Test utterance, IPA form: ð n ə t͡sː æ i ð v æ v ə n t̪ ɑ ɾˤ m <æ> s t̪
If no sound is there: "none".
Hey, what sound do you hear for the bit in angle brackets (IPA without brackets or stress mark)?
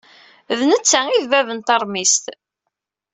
i